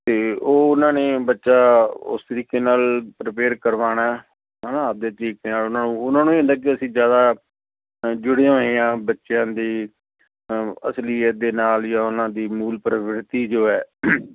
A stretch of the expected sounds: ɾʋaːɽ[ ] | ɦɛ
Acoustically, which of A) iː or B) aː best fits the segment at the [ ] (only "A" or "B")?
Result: B